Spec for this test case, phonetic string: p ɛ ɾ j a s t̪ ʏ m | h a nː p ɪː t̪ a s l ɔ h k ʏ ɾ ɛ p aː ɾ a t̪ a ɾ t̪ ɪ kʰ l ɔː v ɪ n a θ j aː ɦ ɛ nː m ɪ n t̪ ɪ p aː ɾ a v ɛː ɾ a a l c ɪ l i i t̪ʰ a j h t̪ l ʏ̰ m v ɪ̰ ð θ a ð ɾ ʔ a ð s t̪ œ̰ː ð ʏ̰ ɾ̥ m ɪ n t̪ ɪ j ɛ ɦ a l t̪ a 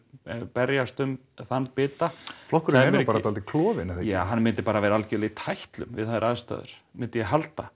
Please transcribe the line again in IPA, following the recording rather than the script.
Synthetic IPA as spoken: p ɛ ɾ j a s t̪ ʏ m | θ a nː p ɪː t̪ a f l ɔ h k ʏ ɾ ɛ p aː ɾ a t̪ a l t̪ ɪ kʰ l ɔː v ɪ n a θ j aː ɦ a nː m ɪ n t̪ ɪ p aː ɾ a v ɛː ɾ a a l c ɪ l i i t̪ʰ a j h t̪ l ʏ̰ m v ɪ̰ ð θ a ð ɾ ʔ a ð s t̪ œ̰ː ð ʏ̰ ɾ̥ m ɪ n t̪ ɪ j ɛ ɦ a l t̪ a